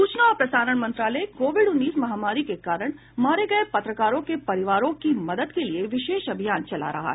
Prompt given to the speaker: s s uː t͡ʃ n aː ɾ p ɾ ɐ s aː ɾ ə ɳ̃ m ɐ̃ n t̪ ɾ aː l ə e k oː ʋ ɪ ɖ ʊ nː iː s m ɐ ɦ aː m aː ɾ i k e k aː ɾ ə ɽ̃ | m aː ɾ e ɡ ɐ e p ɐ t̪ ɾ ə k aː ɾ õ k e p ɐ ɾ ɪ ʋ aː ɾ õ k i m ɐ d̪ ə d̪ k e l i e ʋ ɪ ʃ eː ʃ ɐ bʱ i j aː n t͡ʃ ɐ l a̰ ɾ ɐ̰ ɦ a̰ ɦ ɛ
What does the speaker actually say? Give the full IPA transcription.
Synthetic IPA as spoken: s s uː t͡ʃ n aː ɾ p ɾ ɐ s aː ɾ ə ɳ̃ m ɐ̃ n t̪ ɾ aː l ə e k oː ʋ ɪ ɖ ʊ nː iː s m ɐ ɦ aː m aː ɾ i k e k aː ɾ ə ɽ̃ | m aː ɾ e ɡ ɐ e p ɐ t̪ ɾ ə k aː ɾ õ k e p ɐ ɾ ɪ ʋ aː ɾ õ k i m ɐ d̪ ə d̪ k e l i e ʋ ɪ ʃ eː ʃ ɐ bʱ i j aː n t͡ʃ ɐ l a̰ ɾ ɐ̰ ɦ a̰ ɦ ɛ

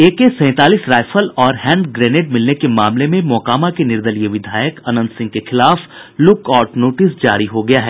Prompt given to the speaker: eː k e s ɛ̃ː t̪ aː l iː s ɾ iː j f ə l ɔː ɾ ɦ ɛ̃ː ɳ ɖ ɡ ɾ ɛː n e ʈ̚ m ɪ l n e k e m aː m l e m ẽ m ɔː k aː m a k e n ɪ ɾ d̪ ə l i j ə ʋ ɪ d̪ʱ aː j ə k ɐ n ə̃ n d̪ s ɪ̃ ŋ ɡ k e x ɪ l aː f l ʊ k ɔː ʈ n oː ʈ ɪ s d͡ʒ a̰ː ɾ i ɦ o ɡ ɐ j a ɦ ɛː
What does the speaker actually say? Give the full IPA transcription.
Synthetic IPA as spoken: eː k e s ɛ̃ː t̪ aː l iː s ɾ aː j f ə l ɔː ɾ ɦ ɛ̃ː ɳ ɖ ɡ ɾ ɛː n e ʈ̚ m ɪ l n e k e m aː m l e m ẽ m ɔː k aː m a k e n ɪ ɾ d̪ ə l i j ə ʋ ɪ d̪ʱ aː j ə k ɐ n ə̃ n d̪ s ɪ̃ ŋ ɡ k e x ɪ l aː f l ʊ k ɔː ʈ n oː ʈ ɪ s d͡ʒ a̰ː ɾ i ɦ o ɡ ɐ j a ɦ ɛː

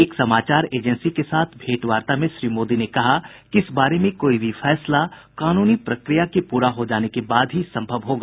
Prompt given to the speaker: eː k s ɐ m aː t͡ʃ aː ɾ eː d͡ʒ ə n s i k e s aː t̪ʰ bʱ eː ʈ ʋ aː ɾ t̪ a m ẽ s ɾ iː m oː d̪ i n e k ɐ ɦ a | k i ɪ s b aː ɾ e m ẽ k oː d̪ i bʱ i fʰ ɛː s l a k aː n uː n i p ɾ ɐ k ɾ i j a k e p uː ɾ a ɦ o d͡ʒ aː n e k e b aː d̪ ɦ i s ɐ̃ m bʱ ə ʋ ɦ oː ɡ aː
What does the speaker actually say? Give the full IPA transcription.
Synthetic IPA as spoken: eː k s ɐ m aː t͡ʃ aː ɾ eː d͡ʒ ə n s i k e s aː t̪ʰ bʱ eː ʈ ʋ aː ɾ t̪ a m ẽ ʃ ɾ iː m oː d̪ i n e k ɐ ɦ a | k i ɪ s b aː ɾ e m ẽ k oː i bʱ i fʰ ɛː s l a k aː n uː n i p ɾ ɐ k ɾ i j a k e p uː ɾ a ɦ o d͡ʒ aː n e k e b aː d̪ ɦ i s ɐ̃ m bʱ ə ʋ ɦ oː ɡ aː

